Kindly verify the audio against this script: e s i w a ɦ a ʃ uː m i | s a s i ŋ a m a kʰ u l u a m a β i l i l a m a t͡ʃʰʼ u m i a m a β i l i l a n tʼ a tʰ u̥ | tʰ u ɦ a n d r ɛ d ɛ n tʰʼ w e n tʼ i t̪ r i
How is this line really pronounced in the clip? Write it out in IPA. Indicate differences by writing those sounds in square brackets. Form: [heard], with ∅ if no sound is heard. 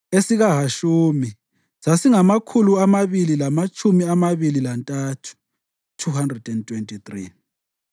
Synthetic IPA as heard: e s i [ɣ] a ɦ a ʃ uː m i | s a s i ŋ a m a kʰ u l u a m a β i l i l a m a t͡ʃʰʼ u m i a m a β i l i l a n tʼ a tʰ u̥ | tʰ u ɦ a n d r ɛ d ɛ n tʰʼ w e n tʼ i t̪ r i